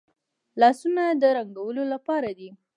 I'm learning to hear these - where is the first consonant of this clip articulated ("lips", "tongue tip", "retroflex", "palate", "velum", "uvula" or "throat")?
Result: tongue tip